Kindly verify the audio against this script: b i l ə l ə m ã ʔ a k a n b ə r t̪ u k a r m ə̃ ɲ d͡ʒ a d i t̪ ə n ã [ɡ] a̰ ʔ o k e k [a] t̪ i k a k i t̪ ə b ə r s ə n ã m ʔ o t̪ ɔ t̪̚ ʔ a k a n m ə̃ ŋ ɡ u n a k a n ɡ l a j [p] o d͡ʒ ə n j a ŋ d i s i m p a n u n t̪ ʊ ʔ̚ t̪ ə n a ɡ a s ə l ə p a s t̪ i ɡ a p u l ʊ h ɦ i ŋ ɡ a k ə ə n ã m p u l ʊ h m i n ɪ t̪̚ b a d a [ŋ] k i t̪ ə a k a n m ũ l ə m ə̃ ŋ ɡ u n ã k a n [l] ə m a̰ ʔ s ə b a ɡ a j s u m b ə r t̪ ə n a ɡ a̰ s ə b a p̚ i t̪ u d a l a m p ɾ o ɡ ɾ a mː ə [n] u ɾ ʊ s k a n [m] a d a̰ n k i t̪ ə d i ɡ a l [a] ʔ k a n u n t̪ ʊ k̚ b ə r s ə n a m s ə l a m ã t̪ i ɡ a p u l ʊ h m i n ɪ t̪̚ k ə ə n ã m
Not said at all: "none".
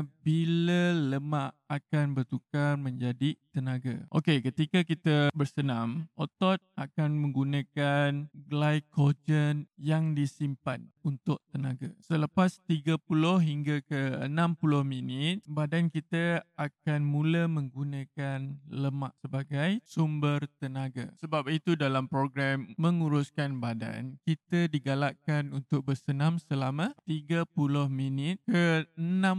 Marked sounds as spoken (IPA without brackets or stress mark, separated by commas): ɡ, ə, k, n, l, ŋ, b, a